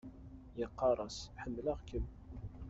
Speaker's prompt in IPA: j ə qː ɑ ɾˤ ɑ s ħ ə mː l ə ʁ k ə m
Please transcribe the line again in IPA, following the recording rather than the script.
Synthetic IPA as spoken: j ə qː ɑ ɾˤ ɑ s ħ ə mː l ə ʁ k ə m